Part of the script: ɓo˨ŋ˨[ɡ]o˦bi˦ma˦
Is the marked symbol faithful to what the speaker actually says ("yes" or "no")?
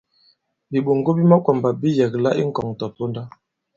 yes